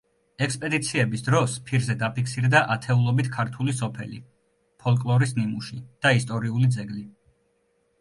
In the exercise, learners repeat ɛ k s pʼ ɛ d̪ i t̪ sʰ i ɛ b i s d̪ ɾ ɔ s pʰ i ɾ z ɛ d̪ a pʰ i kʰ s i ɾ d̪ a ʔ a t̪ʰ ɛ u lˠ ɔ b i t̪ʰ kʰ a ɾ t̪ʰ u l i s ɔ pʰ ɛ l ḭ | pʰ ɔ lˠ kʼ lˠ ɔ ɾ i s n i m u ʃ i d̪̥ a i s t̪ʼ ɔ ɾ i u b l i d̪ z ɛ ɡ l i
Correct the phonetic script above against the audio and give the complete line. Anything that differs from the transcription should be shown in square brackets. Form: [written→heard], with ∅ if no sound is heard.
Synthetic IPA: ɛ k s pʼ ɛ d̪ i t̪ sʰ i ɛ b i s d̪ ɾ ɔ s pʰ i ɾ z ɛ d̪ a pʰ i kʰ s i ɾ d̪ a ʔ a t̪ʰ ɛ u lˠ ɔ b i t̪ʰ kʰ a ɾ t̪ʰ u l i s ɔ pʰ ɛ l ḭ | pʰ ɔ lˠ kʼ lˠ ɔ ɾ i s n i m u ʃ i d̪̥ a i s t̪ʼ ɔ ɾ i u [b→∅] l i d̪ z ɛ ɡ l i

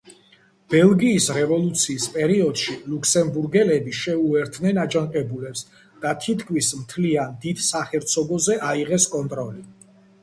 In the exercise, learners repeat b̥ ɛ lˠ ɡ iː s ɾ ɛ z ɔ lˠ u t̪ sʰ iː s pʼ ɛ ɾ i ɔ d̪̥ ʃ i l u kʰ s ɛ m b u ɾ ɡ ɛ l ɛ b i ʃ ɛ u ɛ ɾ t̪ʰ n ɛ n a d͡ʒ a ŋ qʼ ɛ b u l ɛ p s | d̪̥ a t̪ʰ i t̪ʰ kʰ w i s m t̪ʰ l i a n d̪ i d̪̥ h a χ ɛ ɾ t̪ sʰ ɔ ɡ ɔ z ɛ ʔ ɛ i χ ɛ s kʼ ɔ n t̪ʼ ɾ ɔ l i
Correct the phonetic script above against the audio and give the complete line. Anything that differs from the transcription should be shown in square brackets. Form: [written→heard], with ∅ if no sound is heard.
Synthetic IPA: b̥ ɛ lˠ ɡ iː s ɾ ɛ [z→v] ɔ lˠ u t̪ sʰ iː s pʼ ɛ ɾ i ɔ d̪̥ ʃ i l u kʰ s ɛ m b u ɾ ɡ ɛ l ɛ b i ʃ ɛ u ɛ ɾ t̪ʰ n ɛ n a d͡ʒ a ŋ qʼ ɛ b u l ɛ p s | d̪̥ a t̪ʰ i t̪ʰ kʰ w i s m t̪ʰ l i a n d̪ i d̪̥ [h→s] a χ ɛ ɾ t̪ sʰ ɔ ɡ ɔ z ɛ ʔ [ɛ→a] i [χ→ʁ] ɛ s kʼ ɔ n t̪ʼ ɾ ɔ l i

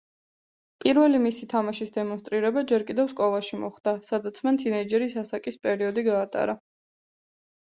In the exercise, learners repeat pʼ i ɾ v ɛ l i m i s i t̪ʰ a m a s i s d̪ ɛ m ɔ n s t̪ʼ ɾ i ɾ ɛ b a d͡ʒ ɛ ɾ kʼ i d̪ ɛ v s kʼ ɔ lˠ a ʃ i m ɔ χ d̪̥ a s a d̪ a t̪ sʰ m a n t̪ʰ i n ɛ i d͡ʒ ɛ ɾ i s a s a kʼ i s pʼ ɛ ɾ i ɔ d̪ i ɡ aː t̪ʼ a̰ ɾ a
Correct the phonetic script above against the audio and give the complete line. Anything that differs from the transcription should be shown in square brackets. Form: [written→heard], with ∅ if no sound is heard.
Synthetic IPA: pʼ i ɾ v ɛ l i m i s i t̪ʰ a m a [s→ʃ] i s d̪ ɛ m ɔ n s t̪ʼ ɾ i ɾ ɛ b a d͡ʒ ɛ ɾ kʼ i d̪ ɛ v s kʼ ɔ lˠ a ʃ i m ɔ χ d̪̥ a s a d̪ a t̪ sʰ m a n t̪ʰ i n ɛ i d͡ʒ ɛ ɾ i s a s a kʼ i s pʼ ɛ ɾ i ɔ d̪ i ɡ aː t̪ʼ a̰ ɾ a

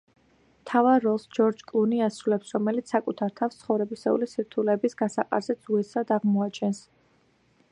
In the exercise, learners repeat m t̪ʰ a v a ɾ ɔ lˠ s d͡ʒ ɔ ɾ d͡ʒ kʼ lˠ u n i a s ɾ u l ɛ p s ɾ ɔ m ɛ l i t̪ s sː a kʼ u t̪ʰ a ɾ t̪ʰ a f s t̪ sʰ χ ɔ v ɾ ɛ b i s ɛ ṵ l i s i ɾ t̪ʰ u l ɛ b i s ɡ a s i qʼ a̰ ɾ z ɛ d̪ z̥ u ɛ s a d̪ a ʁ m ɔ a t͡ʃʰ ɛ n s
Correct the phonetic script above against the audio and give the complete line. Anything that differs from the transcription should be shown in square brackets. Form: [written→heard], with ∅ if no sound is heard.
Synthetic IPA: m t̪ʰ a v a ɾ ɔ lˠ s d͡ʒ ɔ ɾ d͡ʒ kʼ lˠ u n i a s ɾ u l ɛ p s ɾ ɔ m ɛ l i t̪ s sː a kʼ u t̪ʰ a ɾ t̪ʰ a f s t̪ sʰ χ ɔ v ɾ ɛ b i s ɛ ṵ l i s i ɾ t̪ʰ u l ɛ b i s ɡ a s [i→a] qʼ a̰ ɾ z ɛ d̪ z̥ u ɛ s a d̪ a ʁ m ɔ a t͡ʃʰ ɛ n s

